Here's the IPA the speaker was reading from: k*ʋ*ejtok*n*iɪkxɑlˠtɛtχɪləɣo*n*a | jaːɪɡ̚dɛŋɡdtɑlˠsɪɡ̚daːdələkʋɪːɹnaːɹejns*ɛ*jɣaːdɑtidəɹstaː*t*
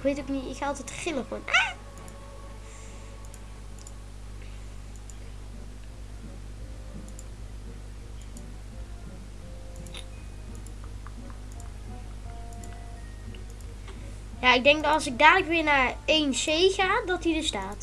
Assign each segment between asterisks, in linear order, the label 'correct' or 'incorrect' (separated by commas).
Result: correct, correct, correct, incorrect, correct